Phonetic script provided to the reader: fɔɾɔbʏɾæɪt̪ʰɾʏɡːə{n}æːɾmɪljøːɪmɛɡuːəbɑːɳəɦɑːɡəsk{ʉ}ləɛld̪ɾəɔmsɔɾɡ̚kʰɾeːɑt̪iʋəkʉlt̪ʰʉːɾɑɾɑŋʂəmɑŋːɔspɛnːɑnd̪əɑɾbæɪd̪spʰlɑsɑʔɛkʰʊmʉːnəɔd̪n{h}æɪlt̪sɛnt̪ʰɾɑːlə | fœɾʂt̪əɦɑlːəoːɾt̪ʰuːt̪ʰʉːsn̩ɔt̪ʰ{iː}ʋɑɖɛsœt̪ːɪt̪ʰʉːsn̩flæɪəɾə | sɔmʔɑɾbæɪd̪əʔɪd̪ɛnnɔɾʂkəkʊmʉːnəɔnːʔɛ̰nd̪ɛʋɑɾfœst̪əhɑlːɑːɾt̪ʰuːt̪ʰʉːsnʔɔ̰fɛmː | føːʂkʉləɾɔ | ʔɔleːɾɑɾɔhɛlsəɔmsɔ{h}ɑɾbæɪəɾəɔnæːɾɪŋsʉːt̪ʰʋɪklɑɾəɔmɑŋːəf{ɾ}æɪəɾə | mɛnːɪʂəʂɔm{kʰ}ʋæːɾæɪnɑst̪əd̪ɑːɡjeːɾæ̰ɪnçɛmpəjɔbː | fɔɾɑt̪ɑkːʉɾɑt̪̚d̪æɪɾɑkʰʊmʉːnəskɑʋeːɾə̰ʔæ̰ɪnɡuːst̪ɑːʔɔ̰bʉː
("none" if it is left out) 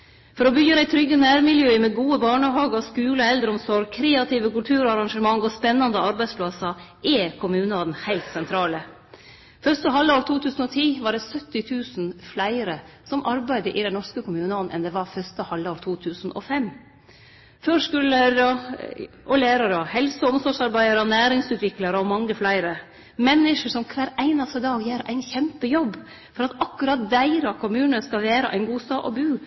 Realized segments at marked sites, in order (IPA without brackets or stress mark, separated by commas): n, ʉː, h, iː, ʂ, l, kʰ